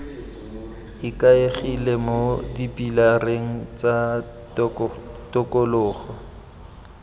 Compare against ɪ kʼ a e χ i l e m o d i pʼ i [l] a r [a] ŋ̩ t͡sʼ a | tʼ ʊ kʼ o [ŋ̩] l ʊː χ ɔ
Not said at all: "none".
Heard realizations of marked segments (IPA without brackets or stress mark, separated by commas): l, e, none